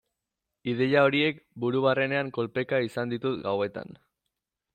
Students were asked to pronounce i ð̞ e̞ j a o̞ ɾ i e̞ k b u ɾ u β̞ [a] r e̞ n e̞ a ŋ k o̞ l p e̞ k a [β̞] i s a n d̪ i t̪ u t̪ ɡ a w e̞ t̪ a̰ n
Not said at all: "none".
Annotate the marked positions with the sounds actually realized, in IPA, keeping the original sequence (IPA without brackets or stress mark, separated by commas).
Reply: a, none